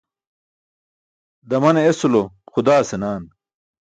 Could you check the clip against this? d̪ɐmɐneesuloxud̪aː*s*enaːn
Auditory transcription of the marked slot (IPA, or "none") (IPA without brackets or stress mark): s